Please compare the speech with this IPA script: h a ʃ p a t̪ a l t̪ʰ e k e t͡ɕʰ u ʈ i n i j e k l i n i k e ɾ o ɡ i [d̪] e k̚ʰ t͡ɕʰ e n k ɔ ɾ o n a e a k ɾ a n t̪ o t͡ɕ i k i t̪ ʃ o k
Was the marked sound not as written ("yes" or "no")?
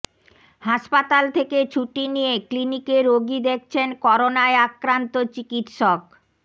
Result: no